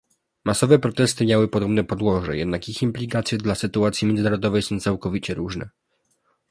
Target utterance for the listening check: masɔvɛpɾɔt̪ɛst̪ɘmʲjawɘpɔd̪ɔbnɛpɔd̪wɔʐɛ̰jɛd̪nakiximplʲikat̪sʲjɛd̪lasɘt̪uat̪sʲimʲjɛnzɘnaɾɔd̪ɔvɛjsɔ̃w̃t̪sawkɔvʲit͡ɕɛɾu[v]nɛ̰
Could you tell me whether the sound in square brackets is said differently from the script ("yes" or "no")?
yes